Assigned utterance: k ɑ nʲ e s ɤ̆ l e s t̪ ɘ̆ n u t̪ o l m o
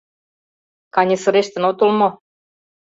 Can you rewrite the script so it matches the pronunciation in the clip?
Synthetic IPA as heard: k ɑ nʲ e s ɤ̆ ɾ e ʃ t̪ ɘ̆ n o t̪ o l m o

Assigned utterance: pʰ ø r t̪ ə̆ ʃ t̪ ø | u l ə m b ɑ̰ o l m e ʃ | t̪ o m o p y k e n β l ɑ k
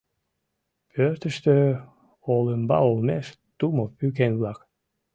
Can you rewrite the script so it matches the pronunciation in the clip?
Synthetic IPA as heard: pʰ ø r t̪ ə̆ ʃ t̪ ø | o l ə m b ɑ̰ o l m e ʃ | t̪ u m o p y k e n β l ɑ k

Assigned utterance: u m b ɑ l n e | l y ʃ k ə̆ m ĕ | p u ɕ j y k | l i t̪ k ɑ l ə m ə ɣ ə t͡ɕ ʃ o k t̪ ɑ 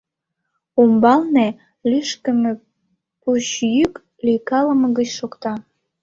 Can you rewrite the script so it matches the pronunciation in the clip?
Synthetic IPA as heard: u m b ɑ l n e | l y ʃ k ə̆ m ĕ | p u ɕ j y k | l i k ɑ l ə m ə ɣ ə t͡ɕ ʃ o k t̪ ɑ

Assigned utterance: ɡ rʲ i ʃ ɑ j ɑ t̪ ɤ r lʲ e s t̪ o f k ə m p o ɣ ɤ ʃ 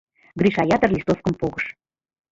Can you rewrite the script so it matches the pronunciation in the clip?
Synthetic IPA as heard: ɡ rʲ i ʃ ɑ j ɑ t̪ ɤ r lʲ i s t̪ o f k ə m p o ɣ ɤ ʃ

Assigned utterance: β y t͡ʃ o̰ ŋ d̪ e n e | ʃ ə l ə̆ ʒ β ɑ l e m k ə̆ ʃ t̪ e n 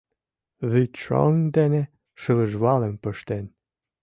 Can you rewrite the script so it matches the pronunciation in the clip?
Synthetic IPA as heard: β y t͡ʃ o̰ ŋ d̪ e n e | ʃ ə l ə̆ ʒ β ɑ l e m p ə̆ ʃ t̪ e n

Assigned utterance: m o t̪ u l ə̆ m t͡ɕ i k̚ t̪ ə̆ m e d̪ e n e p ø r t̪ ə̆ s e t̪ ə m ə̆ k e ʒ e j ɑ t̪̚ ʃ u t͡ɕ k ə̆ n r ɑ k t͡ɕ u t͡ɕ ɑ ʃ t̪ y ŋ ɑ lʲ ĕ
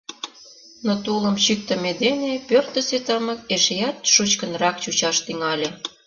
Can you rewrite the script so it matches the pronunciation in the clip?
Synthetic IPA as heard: n o t̪ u l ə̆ m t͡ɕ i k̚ t̪ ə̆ m e d̪ e n e p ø r t̪ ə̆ s e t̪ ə m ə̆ k e ʃ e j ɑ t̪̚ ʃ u t͡ɕ k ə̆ n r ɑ k t͡ɕ u t͡ɕ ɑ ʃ t̪ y ŋ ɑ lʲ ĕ

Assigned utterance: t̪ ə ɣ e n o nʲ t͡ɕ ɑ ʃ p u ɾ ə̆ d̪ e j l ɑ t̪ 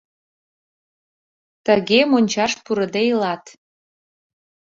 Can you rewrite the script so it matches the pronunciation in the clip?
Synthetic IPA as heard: t̪ ə ɣ e m o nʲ t͡ɕ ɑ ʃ p u ɾ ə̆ d̪ e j l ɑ t̪

